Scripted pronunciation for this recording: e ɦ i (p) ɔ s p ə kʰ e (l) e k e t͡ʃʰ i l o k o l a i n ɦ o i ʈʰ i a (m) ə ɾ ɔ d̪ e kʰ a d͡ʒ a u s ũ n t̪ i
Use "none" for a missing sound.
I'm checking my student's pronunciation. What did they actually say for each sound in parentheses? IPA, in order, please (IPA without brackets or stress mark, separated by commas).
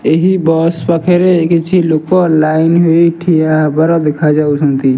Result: b, ɾ, b